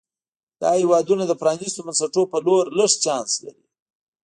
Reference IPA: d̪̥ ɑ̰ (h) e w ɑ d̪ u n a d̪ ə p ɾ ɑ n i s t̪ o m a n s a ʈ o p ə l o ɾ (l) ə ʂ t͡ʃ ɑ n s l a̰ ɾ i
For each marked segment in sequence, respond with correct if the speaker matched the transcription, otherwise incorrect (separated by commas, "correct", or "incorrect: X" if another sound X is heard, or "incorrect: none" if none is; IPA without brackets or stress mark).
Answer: correct, correct